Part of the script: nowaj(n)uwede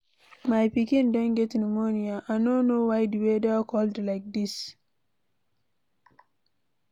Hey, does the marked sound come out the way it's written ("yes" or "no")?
no